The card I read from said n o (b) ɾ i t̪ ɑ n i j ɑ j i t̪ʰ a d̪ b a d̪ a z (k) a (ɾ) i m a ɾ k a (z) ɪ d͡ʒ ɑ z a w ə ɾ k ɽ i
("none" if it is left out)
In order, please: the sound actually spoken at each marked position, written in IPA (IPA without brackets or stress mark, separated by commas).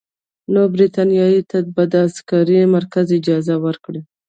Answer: b, k, ɾ, z